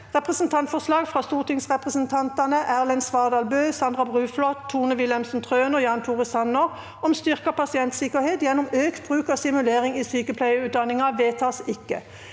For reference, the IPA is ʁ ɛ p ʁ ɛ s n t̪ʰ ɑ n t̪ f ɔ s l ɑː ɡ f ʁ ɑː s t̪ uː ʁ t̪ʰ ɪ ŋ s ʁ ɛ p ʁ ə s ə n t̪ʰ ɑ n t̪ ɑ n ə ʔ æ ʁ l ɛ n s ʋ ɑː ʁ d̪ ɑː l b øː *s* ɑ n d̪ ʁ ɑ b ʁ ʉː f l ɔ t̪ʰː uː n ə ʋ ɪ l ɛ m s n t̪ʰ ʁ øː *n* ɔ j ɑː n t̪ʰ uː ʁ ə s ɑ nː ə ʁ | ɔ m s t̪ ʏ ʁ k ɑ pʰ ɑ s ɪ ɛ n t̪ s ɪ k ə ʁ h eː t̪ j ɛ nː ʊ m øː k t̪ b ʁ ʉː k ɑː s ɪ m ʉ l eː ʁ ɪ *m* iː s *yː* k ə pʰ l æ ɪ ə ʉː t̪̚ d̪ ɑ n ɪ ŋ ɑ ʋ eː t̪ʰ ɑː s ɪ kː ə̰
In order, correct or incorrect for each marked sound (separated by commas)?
correct, correct, incorrect, correct